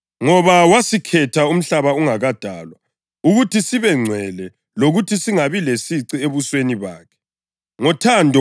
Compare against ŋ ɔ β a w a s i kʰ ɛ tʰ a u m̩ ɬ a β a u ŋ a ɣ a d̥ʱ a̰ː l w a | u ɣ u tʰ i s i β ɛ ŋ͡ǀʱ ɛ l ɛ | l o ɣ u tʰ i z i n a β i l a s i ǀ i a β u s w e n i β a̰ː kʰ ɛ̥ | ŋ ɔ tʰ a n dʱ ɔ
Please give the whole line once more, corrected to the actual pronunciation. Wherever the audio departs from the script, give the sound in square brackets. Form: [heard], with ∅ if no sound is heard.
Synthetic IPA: ŋ ɔ β a w a s i kʰ ɛ tʰ a u m̩ ɬ a β a u ŋ a ɣ a d̥ʱ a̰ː l w a | u ɣ u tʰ i s i β ɛ ŋ͡ǀʱ ɛ l ɛ | l o ɣ u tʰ i [s] i [ŋ] a β i l [e] s i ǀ i [e] β u s w e n i β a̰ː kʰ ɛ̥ | ŋ ɔ tʰ a n dʱ ɔ